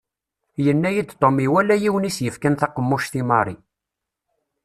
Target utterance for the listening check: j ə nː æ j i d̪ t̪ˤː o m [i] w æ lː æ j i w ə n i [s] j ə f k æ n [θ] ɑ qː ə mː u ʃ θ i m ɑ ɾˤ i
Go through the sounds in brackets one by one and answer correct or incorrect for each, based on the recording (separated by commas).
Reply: correct, correct, correct